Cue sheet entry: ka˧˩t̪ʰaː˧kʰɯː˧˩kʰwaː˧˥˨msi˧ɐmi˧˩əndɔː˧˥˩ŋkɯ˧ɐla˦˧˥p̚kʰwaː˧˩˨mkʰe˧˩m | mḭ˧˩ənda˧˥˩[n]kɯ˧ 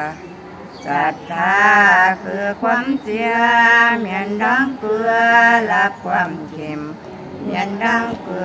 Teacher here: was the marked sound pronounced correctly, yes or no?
no